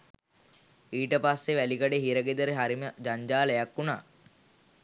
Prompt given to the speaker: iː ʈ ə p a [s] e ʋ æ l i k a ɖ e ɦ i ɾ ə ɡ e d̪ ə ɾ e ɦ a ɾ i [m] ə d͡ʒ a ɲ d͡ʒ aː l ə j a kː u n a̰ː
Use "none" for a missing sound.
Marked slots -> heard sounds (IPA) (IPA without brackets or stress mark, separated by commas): sː, m